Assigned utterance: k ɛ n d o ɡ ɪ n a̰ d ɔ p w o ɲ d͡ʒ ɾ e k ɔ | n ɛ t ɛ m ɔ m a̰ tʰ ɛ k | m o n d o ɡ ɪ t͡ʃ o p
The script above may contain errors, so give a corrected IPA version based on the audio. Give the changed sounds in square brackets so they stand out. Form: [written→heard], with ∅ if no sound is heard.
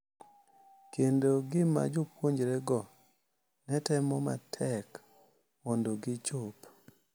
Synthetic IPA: k [ɛ→e] n d o ɡ ɪ [n→m] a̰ [d→d͡ʒ] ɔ p w o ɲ d͡ʒ ɾ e [k→ɡ] ɔ | n ɛ t ɛ m ɔ m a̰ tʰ ɛ k | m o n d o ɡ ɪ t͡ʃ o p